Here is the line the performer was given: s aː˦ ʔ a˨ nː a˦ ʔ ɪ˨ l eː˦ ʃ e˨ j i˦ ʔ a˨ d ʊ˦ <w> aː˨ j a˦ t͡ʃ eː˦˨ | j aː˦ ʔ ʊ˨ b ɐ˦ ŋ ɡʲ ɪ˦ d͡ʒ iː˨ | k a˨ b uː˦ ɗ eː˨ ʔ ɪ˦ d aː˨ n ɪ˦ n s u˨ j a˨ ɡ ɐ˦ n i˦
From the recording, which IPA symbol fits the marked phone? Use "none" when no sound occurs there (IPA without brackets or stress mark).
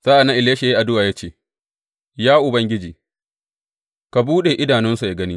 w